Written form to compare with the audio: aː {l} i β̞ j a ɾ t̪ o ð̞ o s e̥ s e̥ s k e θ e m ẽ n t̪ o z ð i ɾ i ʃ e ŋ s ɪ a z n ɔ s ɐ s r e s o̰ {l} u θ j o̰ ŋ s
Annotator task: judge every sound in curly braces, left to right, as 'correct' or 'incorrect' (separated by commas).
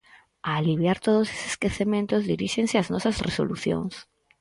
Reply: correct, correct